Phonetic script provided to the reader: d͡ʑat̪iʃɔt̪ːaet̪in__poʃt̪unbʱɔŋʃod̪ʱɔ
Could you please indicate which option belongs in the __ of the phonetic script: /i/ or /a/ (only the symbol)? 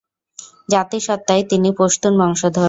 i